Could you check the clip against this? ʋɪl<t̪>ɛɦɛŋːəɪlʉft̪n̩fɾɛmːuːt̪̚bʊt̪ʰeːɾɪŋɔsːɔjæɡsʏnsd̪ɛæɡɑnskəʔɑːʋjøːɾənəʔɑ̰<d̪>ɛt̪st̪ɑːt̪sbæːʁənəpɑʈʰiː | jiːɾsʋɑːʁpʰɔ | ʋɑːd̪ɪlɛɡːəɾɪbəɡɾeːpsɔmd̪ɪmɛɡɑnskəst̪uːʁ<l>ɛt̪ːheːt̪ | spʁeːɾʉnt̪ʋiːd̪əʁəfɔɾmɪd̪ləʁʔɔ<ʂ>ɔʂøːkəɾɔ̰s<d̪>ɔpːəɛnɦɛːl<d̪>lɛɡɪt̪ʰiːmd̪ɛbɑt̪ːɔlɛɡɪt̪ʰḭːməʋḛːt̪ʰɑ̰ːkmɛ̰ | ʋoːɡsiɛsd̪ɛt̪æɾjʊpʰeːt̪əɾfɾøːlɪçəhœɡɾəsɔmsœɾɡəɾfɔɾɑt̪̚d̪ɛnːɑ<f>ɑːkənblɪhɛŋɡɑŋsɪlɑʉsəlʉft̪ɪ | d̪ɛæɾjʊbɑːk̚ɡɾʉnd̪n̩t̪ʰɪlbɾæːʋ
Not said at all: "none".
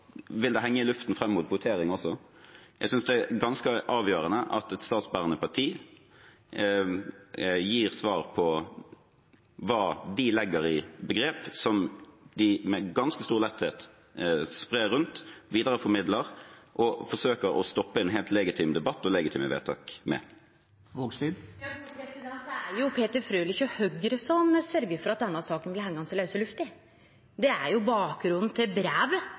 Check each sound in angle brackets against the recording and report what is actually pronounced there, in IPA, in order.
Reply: d̪, t̪, l, f, t̪, t̪, s

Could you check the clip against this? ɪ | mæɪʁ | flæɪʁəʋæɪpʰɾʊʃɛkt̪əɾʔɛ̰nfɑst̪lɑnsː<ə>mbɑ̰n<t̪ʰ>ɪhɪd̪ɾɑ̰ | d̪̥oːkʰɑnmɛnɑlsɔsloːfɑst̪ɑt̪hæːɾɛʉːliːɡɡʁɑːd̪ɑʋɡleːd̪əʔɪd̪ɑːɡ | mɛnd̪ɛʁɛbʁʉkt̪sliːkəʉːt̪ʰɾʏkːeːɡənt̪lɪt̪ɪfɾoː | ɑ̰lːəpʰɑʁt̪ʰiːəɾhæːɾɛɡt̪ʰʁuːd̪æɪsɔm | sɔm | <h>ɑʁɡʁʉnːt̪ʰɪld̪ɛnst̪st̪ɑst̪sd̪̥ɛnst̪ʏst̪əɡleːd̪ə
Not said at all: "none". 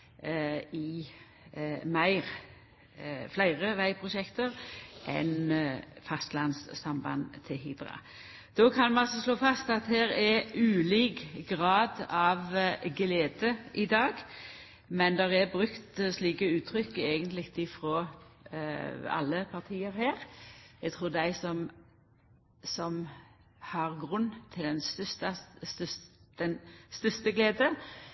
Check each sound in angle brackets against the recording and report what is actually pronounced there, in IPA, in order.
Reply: ɑ, t̪ʰ, h

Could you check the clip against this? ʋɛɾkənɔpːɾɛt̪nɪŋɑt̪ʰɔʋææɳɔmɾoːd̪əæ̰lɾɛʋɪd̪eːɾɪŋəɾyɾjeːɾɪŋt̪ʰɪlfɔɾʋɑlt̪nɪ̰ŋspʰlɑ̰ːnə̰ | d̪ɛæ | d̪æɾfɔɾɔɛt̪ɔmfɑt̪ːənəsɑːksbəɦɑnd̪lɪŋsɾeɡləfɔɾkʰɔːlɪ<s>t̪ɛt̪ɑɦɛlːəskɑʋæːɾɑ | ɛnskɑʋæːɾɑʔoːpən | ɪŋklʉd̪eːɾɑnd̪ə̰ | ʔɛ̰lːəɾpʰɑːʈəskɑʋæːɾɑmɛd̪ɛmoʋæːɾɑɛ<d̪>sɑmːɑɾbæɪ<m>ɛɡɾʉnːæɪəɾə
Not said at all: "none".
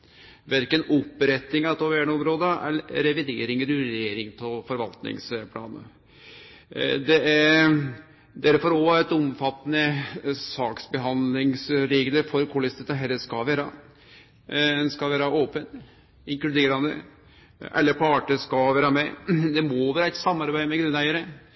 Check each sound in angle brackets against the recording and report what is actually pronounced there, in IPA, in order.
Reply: s, t̪, m

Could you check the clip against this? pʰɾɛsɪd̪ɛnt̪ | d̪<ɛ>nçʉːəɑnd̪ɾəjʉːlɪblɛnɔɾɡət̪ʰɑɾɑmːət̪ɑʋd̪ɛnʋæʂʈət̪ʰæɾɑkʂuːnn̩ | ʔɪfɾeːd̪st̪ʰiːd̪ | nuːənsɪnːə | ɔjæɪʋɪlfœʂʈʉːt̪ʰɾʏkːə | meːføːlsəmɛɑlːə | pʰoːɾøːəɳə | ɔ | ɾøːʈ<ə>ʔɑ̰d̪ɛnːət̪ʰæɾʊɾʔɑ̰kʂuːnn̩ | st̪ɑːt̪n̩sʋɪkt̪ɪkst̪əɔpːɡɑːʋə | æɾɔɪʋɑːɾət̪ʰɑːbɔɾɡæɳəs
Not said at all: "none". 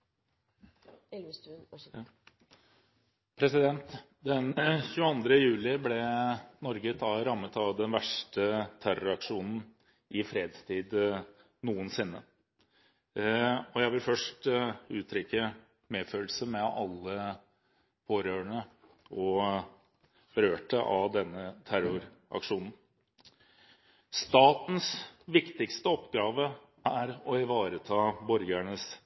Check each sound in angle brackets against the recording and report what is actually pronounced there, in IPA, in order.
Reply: ɛ, ə

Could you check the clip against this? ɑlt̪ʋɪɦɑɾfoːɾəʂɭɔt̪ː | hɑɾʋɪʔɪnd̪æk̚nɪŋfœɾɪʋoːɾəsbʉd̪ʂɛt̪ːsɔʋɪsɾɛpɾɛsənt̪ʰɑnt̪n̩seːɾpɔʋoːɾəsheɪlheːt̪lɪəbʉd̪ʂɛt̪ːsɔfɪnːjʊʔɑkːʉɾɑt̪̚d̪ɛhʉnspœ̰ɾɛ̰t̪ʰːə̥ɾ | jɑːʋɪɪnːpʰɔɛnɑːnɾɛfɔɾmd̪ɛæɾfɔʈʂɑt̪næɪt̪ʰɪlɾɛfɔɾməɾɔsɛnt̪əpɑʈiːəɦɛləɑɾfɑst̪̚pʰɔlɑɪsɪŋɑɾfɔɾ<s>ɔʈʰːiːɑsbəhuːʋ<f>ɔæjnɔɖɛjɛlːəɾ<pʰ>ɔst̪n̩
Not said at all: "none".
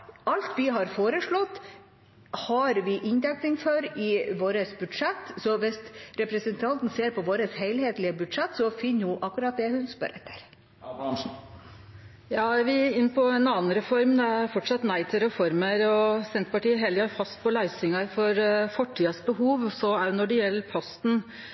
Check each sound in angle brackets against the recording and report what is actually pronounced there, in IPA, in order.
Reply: f, s, pʰ

